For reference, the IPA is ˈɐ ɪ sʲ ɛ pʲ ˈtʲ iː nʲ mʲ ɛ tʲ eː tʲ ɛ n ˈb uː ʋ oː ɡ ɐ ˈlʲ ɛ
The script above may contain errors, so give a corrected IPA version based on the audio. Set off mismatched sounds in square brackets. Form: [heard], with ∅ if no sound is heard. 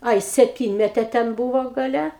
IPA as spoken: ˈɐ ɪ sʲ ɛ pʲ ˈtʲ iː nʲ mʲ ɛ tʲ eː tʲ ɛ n ˈb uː ʋ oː ɡ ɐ ˈlʲ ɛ